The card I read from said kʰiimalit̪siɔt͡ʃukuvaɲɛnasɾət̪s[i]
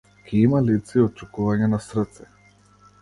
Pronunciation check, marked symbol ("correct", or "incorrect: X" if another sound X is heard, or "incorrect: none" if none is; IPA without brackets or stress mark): incorrect: ɛ